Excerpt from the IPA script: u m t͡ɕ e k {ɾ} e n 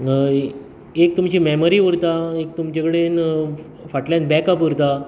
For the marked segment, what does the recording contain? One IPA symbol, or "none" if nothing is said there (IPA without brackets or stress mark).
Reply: ɽ